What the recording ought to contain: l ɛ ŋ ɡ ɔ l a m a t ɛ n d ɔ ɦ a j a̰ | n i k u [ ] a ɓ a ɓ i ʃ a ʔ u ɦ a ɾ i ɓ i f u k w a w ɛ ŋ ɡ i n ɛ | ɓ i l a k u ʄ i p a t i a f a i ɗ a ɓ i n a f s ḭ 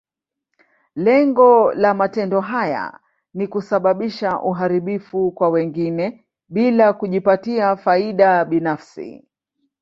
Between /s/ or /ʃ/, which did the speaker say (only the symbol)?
s